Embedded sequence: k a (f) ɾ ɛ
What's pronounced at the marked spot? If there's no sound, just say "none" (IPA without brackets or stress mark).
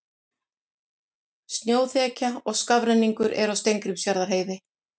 v